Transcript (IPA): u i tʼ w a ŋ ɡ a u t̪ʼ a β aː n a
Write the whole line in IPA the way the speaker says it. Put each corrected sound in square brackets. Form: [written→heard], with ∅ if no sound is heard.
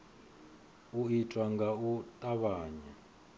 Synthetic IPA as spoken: u i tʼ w a ŋ ɡ a u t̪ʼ a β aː [n→ɲ] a